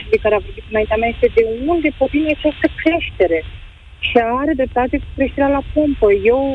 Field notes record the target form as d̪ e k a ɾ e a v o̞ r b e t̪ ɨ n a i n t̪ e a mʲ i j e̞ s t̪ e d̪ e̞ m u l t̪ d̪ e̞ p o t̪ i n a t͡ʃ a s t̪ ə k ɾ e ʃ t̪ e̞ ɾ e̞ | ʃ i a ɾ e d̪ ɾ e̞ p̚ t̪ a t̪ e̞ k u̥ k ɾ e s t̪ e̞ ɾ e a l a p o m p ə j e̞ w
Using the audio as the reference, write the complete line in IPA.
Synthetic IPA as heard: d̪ e k a ɾ e a v o̞ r b i t̪ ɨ n a i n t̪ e a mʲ a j e̞ s t̪ e d̪ e̞ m u l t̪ d̪ e̞ p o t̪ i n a t͡ʃ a s t̪ ə k ɾ e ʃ t̪ e̞ ɾ e̞ | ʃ i a ɾ e d̪ ɾ e̞ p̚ t̪ a t̪ e̞ k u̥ k ɾ e ʃ t̪ e̞ ɾ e a l a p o m p ə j e̞ w